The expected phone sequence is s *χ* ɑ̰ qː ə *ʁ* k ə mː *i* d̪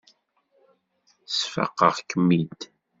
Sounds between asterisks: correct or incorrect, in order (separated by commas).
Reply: incorrect, correct, correct